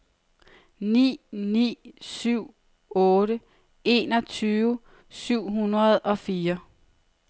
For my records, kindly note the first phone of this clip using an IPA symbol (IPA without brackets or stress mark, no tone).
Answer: n